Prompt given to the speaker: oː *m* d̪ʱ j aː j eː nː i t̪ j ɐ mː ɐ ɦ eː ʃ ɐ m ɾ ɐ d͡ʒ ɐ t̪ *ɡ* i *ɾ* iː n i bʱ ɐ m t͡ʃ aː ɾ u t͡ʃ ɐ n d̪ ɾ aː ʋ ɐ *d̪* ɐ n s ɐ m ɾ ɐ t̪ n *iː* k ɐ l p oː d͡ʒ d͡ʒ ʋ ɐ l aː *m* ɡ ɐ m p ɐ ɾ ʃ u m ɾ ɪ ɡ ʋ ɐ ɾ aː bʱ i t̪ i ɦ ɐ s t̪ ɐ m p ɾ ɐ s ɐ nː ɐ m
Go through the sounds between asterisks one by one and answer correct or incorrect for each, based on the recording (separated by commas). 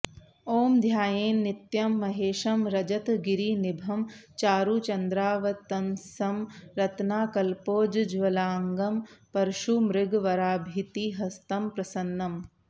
correct, correct, correct, incorrect, incorrect, incorrect